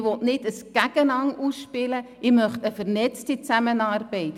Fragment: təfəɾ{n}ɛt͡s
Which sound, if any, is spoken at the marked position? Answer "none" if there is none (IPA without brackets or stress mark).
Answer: n